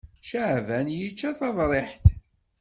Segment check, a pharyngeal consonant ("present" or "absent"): present